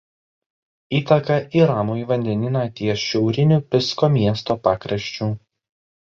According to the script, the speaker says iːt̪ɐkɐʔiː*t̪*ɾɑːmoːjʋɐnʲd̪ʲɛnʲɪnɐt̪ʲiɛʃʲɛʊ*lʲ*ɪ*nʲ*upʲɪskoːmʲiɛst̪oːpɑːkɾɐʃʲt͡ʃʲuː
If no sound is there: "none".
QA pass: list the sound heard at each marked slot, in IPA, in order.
none, ɾʲ, nʲ

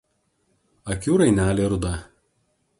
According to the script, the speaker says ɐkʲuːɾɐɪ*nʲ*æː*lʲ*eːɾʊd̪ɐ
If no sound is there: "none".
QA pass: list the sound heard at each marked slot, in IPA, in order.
nʲ, lʲ

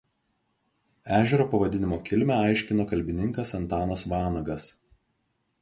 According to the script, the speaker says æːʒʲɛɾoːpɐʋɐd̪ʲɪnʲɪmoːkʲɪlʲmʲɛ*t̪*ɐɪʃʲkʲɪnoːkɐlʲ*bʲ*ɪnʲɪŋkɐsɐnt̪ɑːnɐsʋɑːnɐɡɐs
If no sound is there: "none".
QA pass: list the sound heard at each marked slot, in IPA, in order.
none, bʲ

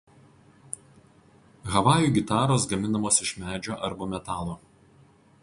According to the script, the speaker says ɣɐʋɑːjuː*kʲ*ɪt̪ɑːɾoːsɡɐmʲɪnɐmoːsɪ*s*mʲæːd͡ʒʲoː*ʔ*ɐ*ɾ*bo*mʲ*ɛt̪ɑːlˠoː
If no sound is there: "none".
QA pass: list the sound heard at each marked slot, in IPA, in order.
ɡʲ, ʃ, ʔ, ɾ, mʲ

